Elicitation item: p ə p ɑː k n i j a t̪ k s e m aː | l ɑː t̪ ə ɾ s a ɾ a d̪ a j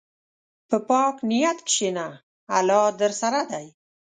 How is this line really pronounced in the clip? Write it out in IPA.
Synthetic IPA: p ə p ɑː k n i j a t̪ k ʃ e n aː | l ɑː d̪ ə ɾ s a ɾ a d̪ a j

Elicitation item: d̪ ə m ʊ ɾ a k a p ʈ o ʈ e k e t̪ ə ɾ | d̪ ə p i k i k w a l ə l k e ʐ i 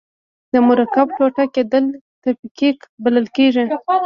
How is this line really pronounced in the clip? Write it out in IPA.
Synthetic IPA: d̪ ə m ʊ ɾ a k a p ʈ o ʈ a k e d̪ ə l | t̪ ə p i k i k b a l ə l k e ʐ i

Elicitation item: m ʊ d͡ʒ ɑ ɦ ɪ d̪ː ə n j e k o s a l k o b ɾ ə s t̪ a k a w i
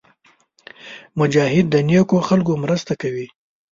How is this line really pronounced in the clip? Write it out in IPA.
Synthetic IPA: m ʊ d͡ʒ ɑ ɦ ɪ d̪ː ə n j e k o x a l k o m ɾ ə s t̪ a k a w i

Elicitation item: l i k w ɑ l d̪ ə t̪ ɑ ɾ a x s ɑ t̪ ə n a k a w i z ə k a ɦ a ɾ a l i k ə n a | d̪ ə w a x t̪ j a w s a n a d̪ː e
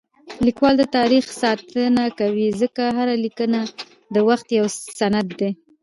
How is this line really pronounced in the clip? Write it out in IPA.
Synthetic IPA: l i k w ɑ l d̪ ə t̪ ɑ ɾ i x s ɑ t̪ ə n a k a w i z ə k a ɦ a ɾ a l i k ə n a | d̪ ə w a x t̪ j a w s a n a d̪ː e

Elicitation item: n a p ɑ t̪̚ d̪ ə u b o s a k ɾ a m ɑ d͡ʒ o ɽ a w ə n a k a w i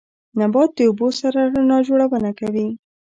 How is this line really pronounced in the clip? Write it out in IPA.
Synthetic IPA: n a b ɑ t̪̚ d̪ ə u b o s a ɾ a n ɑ d͡ʒ o ɽ a w ə n a k a w i

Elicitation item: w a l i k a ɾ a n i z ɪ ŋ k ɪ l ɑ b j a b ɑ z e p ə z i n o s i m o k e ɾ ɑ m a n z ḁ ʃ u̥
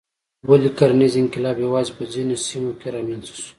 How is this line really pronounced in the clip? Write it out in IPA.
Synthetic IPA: w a l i k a ɾ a n i z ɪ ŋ k ɪ l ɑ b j a w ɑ z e p ə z i n o s i m o k e ɾ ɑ m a n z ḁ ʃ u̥

